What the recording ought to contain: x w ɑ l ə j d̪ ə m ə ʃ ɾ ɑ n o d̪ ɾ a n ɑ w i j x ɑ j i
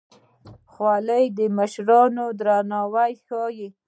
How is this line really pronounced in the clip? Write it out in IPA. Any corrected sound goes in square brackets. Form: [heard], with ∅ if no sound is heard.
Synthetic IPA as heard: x w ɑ l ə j d̪ ə m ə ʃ ɾ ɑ n o d̪ ɾ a n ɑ w [a] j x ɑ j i